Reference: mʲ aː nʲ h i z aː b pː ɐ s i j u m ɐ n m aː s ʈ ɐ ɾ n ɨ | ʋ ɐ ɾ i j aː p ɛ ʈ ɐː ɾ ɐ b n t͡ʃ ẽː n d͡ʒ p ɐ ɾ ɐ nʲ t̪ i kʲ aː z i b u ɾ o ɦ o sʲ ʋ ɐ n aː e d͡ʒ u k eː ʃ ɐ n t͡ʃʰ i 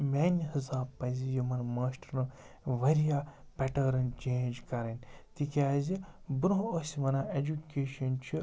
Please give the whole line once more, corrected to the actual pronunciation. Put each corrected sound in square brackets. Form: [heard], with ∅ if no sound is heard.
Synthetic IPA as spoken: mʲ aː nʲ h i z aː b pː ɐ [z] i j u m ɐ n m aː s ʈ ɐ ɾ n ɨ | ʋ ɐ ɾ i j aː p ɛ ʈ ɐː ɾ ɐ [∅] n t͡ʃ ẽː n d͡ʒ [k] ɐ ɾ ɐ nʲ t̪ i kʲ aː z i b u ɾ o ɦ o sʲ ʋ ɐ n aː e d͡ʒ u k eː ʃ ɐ n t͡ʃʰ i